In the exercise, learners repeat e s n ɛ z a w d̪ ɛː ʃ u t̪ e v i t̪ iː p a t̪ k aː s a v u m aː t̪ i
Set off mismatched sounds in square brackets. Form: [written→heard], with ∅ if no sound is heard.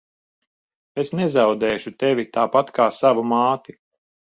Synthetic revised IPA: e s n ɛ z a w d̪ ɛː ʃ u t̪ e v i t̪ [iː→aː] p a t̪ k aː s a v u m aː t̪ i